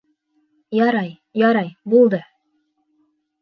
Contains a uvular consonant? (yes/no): no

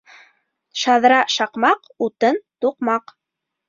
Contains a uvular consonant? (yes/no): yes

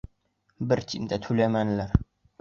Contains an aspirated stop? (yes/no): yes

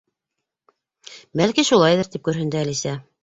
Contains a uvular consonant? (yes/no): no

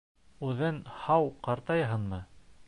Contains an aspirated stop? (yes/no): no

